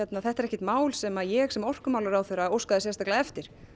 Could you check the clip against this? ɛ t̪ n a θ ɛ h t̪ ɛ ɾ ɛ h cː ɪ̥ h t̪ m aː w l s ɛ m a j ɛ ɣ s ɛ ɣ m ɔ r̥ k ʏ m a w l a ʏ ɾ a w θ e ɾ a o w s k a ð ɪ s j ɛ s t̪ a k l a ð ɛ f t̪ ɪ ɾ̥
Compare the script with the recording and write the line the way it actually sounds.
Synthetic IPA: ɛ t̪ n a θ ɛ h t̪ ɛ ɾ ɛ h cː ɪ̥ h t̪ m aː w l s ɛ m a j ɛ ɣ s ɛ m ɔ r̥ k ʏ m a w l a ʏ ɾ a w θ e ɾ a o w s k a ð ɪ s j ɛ s t̪ a k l a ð ɛ f t̪ ɪ ɾ̥